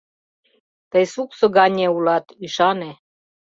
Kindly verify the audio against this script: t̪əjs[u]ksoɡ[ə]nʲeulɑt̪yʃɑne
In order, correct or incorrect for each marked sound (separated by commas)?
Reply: correct, incorrect